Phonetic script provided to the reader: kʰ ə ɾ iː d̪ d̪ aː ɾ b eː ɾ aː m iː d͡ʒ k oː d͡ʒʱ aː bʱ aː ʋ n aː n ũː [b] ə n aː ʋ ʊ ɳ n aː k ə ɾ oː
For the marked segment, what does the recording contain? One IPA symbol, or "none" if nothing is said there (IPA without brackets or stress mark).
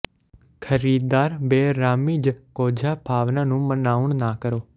m